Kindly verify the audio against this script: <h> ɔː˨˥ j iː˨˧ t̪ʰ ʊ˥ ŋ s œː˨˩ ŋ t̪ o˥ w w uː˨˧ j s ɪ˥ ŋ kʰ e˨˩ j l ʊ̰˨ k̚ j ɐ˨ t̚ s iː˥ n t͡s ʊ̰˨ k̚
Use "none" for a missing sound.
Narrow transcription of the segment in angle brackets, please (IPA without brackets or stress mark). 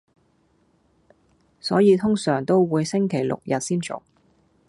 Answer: s